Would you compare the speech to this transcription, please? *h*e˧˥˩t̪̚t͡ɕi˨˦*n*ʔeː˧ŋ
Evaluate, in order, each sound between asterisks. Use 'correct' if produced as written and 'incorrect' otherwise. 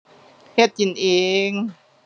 correct, correct

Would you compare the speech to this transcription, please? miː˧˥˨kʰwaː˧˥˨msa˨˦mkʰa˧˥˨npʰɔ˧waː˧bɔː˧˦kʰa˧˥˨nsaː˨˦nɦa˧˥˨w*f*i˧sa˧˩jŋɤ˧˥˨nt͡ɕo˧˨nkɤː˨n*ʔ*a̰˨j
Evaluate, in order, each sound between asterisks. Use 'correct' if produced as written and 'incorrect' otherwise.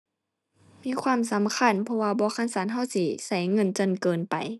incorrect, incorrect

